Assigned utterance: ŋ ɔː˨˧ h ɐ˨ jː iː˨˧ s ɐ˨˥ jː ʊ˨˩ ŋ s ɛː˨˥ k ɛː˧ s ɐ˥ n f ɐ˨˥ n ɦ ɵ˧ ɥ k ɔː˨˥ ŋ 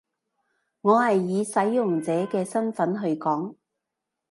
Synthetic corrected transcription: ŋ ɔː˨˧ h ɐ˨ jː iː˨˧ s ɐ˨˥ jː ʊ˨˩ ŋ t͡s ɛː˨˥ k ɛː˧ s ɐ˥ n f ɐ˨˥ n ɦ ɵ˧ ɥ k ɔː˨˥ ŋ

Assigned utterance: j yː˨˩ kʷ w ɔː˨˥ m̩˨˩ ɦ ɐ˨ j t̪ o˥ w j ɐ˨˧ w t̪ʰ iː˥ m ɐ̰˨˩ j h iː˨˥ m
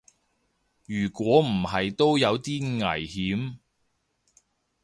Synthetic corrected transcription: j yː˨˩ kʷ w ɔː˨˥ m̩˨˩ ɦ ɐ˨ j t̪ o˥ w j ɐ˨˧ w t̪ iː˥ ŋ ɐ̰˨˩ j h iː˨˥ m

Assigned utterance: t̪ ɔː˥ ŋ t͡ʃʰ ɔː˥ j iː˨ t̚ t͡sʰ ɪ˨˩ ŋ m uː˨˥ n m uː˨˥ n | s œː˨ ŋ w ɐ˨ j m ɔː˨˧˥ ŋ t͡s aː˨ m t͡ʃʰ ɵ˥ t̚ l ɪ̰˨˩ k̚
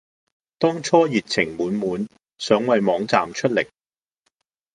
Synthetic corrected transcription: t̪ ɔː˥ ŋ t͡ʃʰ ɔː˥ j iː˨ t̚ t͡sʰ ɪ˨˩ ŋ m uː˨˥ n m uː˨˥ n | s œː˨˥ ŋ w ɐ˨ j m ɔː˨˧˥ ŋ t͡s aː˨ m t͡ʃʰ ɵ˥ t̚ l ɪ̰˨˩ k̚

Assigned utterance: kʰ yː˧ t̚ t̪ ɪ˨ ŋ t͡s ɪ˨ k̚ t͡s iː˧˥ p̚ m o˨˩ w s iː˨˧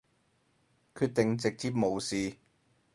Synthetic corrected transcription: kʰ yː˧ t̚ t̪ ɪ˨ ŋ t͡s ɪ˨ k̚ t͡s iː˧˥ p̚ m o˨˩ w s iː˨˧

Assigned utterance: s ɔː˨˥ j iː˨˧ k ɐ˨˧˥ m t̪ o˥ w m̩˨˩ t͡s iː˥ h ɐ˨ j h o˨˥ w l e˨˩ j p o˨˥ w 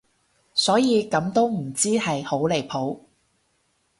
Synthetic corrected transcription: s ɔː˨˥ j iː˨˧ k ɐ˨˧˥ m t̪ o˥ w m̩˨˩ t͡s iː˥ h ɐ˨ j h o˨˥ w l e˨˩ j pʰ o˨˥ w

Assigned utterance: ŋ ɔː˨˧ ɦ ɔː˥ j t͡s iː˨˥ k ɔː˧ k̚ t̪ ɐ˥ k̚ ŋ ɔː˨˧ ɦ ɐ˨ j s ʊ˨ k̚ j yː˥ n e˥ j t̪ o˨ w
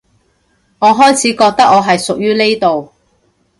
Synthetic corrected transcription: ŋ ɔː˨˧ ɦ ɔː˥ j t͡sʰ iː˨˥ k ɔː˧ k̚ t̪ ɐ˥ k̚ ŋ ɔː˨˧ ɦ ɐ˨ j s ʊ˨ k̚ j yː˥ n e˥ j t̪ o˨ w

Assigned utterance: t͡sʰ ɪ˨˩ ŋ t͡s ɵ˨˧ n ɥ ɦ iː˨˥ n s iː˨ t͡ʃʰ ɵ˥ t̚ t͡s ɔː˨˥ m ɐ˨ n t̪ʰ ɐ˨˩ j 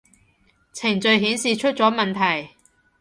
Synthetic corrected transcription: t͡sʰ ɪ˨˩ ŋ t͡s ɵ˨˧ ɥ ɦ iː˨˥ n s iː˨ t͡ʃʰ ɵ˥ t̚ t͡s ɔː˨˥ m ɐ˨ n t̪ʰ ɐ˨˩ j

